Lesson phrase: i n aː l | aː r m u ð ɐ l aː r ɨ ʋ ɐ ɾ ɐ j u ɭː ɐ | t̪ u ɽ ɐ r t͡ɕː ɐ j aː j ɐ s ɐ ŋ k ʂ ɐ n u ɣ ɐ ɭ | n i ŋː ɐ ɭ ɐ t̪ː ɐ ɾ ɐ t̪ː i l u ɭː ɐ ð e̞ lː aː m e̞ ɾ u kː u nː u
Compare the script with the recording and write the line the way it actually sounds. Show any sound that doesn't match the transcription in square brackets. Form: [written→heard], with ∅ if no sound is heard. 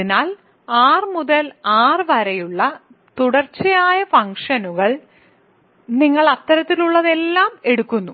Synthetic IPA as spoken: i n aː l | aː r m u ð ɐ l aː r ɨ ʋ ɐ ɾ ɐ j u ɭː ɐ | t̪ u ɽ ɐ r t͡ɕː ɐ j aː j ɐ [s→f] ɐ ŋ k ʂ ɐ n u ɣ ɐ ɭ | n i ŋː ɐ ɭ ɐ t̪ː ɐ ɾ ɐ t̪ː i l u ɭː ɐ ð e̞ lː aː m e̞ [ɾ→ɽ] u kː u nː u